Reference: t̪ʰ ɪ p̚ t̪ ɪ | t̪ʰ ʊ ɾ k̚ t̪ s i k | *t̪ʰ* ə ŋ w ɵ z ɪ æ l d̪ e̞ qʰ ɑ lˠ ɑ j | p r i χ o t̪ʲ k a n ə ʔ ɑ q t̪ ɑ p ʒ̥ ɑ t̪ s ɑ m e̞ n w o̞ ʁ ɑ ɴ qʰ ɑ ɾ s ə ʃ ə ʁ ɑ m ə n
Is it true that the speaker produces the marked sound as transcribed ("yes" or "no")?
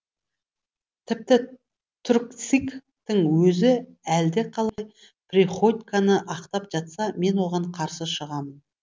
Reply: no